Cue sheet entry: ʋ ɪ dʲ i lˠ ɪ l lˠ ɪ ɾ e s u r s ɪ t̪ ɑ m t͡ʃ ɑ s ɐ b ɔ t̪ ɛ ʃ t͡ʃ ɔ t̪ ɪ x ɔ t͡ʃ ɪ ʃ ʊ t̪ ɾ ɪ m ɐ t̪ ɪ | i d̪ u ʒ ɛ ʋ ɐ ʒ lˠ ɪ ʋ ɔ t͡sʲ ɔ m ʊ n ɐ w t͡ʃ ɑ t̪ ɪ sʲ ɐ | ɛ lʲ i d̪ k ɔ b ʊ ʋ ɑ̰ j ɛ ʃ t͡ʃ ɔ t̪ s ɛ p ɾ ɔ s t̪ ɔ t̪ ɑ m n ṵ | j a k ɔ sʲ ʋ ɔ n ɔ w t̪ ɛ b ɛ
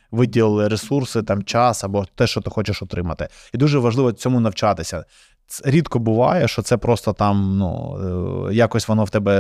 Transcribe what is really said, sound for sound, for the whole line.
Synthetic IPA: ʋ ɪ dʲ i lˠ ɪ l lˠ ɪ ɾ e s u r s ɪ t̪ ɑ m t͡ʃ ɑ s ɐ b ɔ t̪ ɛ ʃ t͡ʃ ɔ t̪ ɪ x ɔ t͡ʃ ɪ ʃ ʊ t̪ ɾ ɪ m ɐ t̪ ɪ | i d̪ u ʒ ɛ ʋ ɐ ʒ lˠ ɪ ʋ ɔ t͡sʲ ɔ m ʊ n ɐ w t͡ʃ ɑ t̪ ɪ sʲ ɐ | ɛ ɾʲ i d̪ k ɔ b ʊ ʋ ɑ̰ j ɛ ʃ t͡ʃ ɔ t̪ s ɛ p ɾ ɔ s t̪ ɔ t̪ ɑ m n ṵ | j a k ɔ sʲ ʋ ɔ n ɔ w t̪ ɛ b ɛ